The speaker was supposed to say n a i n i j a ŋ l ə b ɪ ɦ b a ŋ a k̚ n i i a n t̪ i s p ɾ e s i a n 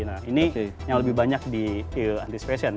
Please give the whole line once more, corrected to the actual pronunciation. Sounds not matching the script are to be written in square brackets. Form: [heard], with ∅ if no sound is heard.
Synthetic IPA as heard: n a i n i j a ŋ l ə b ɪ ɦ b a [ɲ] a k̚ [d] i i a n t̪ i s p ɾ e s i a n